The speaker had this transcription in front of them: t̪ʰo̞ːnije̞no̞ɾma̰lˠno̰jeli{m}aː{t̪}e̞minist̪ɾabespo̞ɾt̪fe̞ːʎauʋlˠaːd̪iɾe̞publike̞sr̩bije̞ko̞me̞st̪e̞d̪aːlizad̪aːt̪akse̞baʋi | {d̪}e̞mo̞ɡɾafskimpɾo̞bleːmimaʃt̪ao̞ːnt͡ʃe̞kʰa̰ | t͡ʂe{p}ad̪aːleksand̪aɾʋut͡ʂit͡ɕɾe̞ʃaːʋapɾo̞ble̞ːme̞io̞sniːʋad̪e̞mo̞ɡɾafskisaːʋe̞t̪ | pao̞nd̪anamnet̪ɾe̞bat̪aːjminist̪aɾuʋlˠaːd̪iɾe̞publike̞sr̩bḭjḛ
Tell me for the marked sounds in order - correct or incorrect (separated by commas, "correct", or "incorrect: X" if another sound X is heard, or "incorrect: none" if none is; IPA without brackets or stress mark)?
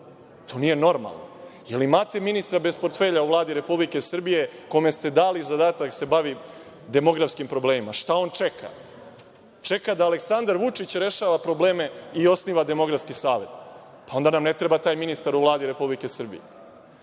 correct, correct, correct, incorrect: k